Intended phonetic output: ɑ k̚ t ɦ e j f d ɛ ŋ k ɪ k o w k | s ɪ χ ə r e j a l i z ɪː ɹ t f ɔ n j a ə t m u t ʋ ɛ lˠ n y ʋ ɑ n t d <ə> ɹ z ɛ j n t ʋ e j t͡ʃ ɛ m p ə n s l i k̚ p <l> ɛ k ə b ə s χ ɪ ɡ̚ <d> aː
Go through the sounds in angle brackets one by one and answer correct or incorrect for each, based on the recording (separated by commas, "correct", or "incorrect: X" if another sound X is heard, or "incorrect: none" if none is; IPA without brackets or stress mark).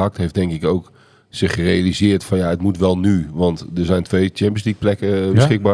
correct, correct, incorrect: b